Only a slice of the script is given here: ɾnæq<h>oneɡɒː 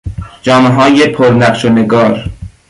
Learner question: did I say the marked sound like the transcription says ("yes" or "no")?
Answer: no